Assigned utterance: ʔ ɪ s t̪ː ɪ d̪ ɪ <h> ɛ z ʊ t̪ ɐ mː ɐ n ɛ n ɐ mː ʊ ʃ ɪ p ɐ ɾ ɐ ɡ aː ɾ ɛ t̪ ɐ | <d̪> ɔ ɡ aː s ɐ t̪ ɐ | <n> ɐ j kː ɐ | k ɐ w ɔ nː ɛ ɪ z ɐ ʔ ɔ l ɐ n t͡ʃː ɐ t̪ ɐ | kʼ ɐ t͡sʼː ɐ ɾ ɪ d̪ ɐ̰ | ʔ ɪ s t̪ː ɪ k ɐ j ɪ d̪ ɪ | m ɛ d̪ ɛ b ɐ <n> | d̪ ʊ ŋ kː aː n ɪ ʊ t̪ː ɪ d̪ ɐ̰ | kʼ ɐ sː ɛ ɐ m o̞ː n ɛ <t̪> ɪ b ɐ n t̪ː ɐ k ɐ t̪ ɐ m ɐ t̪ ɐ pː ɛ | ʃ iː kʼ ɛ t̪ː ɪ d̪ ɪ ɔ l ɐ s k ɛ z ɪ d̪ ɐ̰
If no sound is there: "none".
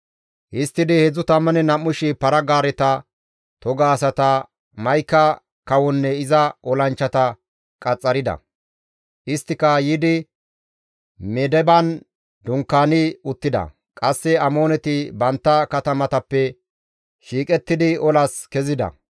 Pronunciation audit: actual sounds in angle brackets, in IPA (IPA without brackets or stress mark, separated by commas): h, t̪, m, n, t̪